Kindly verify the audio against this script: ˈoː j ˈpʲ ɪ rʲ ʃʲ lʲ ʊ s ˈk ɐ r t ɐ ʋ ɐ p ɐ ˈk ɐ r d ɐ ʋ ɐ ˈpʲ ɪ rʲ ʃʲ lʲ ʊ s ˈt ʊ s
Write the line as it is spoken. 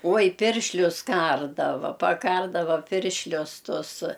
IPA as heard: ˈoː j ˈpʲ ɪ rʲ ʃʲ lʲ ʊ s ˈk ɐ r d ɐ ʋ ɐ p ɐ ˈk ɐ r d ɐ ʋ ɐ ˈpʲ ɪ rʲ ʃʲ lʲ ʊ s ˈt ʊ s